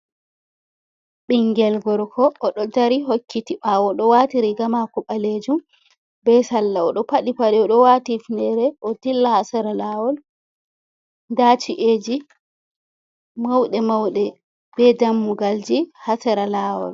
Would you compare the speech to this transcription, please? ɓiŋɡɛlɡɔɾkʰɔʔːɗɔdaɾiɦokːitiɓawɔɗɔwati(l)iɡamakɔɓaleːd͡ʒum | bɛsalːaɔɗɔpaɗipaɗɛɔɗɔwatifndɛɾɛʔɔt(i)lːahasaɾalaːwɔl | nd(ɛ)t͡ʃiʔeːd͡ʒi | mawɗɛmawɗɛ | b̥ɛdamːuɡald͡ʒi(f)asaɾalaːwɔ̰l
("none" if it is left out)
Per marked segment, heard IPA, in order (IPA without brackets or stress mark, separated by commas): ɾ, i, a, h